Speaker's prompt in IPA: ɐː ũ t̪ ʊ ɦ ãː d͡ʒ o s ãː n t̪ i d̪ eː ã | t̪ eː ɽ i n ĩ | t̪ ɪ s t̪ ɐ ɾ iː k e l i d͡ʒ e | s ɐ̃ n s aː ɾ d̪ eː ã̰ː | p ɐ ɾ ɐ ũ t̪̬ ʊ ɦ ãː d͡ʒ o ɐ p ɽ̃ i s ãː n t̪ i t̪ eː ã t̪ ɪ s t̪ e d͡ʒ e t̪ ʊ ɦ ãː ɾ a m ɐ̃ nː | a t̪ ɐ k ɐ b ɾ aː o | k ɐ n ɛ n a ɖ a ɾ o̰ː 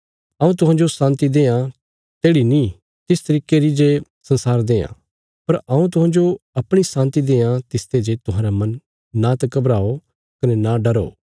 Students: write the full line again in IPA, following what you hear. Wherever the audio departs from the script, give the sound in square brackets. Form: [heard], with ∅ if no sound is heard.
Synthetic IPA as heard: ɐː ũ t̪ ʊ ɦ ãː d͡ʒ o s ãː n t̪ i d̪ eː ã | t̪ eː ɽ i n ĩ | t̪ ɪ s t̪ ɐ ɾ iː k e [ɾ] i d͡ʒ e | s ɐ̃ n s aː ɾ d̪ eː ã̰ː | p ɐ ɾ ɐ ũ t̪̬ ʊ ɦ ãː d͡ʒ o ɐ p ɽ̃ i s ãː n t̪ i [d̪] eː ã t̪ ɪ s t̪ e d͡ʒ e t̪ ʊ ɦ ãː ɾ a m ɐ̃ nː | a t̪ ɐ k ɐ b ɾ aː o | k ɐ n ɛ n a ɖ [ɐ] ɾ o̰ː